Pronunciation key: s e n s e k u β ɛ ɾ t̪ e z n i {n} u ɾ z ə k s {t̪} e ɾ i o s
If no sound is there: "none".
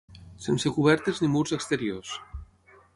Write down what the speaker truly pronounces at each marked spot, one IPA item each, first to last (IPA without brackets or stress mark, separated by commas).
m, t̪